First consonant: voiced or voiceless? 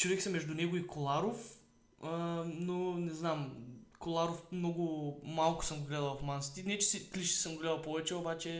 voiceless